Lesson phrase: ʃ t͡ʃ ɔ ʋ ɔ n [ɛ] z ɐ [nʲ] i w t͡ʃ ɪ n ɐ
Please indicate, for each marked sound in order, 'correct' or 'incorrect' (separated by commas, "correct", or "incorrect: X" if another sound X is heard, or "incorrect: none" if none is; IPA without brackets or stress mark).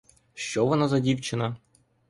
incorrect: a, incorrect: dʲ